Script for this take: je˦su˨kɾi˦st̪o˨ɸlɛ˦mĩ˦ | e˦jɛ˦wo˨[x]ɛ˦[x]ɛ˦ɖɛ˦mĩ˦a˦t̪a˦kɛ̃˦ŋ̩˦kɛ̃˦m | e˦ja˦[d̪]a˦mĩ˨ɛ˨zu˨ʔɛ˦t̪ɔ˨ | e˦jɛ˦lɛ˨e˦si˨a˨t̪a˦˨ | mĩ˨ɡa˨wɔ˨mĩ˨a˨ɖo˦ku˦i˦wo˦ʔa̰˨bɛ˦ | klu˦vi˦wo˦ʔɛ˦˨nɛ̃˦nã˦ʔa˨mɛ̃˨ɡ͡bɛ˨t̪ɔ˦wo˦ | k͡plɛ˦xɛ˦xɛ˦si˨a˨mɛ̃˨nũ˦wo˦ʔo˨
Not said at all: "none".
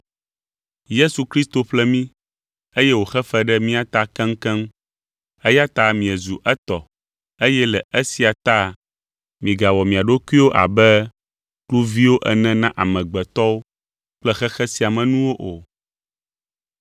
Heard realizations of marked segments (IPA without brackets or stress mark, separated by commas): x, f, t̪